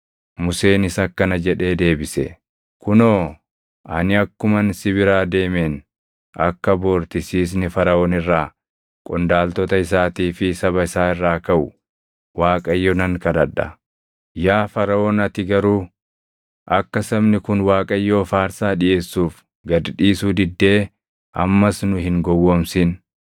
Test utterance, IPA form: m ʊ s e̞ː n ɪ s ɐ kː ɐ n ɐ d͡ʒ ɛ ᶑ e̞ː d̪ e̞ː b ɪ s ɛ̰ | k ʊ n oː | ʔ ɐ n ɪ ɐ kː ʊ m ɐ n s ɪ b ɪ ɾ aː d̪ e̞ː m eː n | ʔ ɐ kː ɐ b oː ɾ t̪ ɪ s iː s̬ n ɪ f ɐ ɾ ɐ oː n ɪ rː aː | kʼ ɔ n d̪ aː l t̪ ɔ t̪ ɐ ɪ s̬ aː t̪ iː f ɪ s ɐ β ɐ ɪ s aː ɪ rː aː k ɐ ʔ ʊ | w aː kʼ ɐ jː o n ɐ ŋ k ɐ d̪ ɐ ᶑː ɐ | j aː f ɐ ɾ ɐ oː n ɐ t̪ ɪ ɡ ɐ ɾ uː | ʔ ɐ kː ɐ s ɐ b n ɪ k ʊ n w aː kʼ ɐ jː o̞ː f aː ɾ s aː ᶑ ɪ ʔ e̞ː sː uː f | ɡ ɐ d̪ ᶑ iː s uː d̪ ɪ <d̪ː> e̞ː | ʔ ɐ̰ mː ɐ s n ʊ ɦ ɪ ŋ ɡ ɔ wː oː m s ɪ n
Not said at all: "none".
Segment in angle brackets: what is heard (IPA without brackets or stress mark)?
d̪ː